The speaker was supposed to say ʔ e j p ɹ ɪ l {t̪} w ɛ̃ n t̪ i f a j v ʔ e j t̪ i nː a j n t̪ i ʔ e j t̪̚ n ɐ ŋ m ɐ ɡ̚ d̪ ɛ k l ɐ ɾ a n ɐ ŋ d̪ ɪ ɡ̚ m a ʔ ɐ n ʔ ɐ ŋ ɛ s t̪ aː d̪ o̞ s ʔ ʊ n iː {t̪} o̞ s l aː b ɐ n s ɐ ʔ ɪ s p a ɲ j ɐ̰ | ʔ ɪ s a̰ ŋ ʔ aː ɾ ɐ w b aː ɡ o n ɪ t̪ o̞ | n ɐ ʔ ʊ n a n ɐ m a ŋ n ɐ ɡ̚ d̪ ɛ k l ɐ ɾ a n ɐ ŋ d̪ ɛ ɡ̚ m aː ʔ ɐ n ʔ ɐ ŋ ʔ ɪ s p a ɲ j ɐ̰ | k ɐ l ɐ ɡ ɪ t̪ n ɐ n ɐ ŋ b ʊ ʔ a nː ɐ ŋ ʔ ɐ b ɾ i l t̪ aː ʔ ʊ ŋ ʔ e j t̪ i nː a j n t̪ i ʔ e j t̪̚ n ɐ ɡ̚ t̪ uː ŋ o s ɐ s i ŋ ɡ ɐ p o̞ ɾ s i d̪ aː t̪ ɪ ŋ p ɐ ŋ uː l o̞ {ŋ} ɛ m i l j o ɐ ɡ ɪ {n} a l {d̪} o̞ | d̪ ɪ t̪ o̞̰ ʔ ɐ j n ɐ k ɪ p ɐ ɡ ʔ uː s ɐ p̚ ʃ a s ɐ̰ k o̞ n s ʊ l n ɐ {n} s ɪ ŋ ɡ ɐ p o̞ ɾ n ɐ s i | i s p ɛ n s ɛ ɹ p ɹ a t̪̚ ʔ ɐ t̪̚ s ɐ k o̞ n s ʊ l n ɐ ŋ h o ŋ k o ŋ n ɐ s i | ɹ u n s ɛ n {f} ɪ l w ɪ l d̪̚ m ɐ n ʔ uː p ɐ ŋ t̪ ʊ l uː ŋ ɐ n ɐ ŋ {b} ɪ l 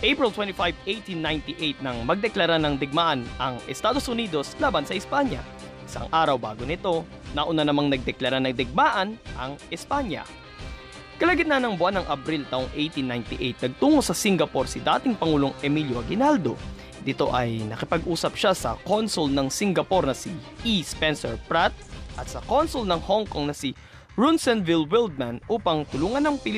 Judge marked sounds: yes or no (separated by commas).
yes, no, yes, yes, yes, no, no, no